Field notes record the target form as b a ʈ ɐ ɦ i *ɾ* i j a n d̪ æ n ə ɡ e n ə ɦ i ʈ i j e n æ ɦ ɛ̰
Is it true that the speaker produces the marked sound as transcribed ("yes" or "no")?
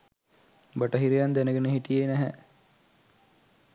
yes